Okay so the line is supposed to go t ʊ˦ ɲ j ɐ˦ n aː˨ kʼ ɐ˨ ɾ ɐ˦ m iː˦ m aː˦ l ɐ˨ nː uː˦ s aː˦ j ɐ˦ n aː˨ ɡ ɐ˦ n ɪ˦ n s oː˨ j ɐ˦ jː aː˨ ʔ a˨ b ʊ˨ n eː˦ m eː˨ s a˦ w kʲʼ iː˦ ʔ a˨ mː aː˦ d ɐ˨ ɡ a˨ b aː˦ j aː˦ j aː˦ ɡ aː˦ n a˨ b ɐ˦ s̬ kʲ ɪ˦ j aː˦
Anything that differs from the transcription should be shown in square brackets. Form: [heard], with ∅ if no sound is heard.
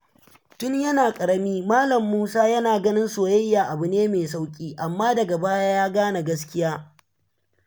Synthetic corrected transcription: t ʊ˦ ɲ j ɐ˦ n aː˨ kʼ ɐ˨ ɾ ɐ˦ m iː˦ m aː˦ l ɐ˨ [mː] uː˦ s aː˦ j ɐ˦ n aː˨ ɡ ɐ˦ n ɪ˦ n s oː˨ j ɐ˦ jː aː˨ ʔ a˨ b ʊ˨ n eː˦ m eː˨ s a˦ w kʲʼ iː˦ ʔ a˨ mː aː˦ d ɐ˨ ɡ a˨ b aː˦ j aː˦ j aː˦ ɡ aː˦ n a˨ [ɡ] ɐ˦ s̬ kʲ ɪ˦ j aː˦